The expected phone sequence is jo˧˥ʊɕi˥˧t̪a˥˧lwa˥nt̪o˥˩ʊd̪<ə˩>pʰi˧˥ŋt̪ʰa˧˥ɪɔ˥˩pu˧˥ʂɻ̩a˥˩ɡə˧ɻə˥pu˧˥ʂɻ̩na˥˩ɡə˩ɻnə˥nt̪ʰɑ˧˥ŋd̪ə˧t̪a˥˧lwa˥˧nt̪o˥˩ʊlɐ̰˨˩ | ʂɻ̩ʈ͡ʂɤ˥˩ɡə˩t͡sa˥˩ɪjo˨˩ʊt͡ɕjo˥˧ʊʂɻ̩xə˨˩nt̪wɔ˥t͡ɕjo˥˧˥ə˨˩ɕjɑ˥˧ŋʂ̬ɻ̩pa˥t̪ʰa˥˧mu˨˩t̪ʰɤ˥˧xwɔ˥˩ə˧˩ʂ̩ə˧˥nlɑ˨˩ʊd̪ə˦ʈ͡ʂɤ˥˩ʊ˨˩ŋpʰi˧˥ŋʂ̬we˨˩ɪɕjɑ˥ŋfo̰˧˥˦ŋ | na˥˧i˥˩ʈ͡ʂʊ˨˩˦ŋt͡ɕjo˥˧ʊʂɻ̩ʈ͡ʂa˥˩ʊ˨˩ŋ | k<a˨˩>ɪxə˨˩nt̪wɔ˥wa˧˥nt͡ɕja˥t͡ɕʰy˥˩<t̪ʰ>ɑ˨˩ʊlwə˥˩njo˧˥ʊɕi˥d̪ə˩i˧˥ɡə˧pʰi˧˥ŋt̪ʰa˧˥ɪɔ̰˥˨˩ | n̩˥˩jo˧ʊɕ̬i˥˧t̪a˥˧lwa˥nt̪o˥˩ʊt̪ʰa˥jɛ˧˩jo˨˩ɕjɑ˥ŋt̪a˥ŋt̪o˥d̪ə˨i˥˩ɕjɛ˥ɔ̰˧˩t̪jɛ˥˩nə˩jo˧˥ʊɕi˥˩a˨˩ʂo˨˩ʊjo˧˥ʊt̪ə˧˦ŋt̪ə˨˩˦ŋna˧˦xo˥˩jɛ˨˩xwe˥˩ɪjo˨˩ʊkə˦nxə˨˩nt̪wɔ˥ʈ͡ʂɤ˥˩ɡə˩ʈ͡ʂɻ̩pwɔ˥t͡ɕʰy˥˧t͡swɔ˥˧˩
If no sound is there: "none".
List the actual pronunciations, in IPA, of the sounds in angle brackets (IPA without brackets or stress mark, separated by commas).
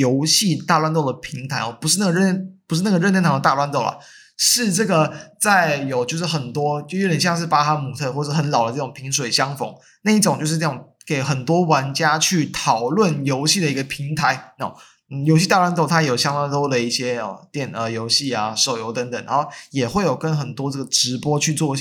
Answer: ə˩, e˨˩, t̪ʰ